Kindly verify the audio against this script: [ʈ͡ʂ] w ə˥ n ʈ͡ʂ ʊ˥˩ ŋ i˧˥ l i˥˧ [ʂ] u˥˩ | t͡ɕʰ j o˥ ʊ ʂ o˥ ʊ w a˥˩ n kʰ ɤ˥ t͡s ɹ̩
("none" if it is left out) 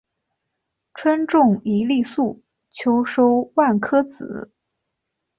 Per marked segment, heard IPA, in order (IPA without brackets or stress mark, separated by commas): ʈ͡ʂʰ, s